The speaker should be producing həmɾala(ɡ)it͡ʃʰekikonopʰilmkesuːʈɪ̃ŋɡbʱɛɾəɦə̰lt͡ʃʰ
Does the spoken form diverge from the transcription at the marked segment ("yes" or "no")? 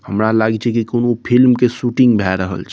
no